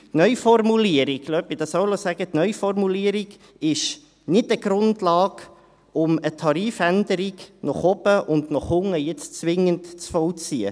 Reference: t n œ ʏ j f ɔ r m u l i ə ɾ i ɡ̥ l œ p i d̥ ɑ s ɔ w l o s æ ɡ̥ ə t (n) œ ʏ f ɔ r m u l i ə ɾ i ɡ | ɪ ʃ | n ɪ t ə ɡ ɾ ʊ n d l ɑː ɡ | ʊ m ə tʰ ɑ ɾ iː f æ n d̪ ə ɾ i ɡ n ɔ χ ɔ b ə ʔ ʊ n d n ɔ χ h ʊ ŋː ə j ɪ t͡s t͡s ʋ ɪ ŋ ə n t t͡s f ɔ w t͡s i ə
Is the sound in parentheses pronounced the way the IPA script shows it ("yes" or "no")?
yes